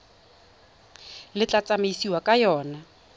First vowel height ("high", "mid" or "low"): high